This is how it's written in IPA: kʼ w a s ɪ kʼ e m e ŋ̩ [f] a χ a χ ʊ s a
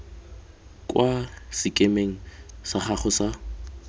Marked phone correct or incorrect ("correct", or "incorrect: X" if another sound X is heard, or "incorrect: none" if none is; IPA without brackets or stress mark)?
incorrect: s